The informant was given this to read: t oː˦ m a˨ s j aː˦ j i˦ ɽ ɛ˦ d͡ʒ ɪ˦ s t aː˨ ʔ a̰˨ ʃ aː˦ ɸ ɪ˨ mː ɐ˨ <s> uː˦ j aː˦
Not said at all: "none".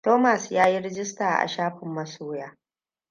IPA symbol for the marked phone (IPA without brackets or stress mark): s